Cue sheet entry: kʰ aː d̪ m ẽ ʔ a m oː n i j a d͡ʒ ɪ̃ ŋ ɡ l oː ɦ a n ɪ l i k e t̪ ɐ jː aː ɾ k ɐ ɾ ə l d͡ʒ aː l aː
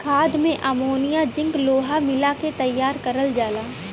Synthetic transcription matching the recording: kʰ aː d̪ m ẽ ʔ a m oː n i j a d͡ʒ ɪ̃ ŋ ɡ l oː ɦ a m ɪ l a k e t̪ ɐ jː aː ɾ k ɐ ɾ ə l d͡ʒ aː l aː